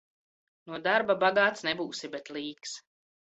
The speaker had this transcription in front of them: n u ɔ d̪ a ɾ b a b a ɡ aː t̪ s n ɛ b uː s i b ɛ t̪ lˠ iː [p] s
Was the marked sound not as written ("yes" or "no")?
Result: yes